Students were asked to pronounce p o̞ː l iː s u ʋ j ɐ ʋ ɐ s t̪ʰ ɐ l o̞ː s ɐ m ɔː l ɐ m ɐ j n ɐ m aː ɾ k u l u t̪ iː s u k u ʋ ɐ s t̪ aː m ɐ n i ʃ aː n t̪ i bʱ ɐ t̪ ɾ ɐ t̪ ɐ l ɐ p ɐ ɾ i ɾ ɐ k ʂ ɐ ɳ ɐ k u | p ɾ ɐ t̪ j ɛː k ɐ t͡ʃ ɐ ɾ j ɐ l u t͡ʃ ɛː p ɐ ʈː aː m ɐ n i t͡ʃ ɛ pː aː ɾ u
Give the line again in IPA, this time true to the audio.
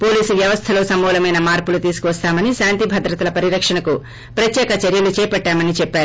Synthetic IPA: p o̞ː l iː s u ʋ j ɐ ʋ ɐ s t̪ʰ ɐ l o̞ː s ɐ m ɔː l ɐ m ɐ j n ɐ m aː ɾ p u l u t̪ iː s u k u ʋ ɐ s t̪ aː m ɐ n i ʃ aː n t̪ i bʱ ɐ d̪ ɾ ɐ t̪ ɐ l ɐ p ɐ ɾ i ɾ ɐ k ʂ ɐ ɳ ɐ k u | p ɾ ɐ t̪ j ɛː k ɐ t͡ʃ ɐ ɾ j ɐ l u t͡ʃ ɛː p ɐ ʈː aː m ɐ n i t͡ʃ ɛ pː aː ɾ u